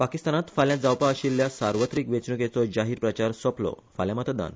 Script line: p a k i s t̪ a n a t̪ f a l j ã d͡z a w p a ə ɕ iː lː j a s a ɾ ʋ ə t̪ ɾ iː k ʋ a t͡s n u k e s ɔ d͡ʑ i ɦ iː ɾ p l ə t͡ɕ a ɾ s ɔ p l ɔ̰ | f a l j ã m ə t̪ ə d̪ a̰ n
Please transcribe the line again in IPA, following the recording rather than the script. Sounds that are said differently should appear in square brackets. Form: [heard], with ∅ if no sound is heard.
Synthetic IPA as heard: p a k i s t̪ a n a t̪ f a l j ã d͡z a w p a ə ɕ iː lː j a s a ɾ ʋ ə t̪ ɾ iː k ʋ [e] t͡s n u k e [t͡s] ɔ d͡ʑ [a] ɦ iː ɾ p [ɾ] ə t͡ɕ a ɾ s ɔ p l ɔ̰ | f a l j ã m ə t̪ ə d̪ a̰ n